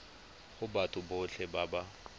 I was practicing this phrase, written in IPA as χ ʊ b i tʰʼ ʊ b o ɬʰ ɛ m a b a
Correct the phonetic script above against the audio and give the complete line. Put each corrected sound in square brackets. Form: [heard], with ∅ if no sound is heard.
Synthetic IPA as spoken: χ ʊ b [a] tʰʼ ʊ b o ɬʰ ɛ [b] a b a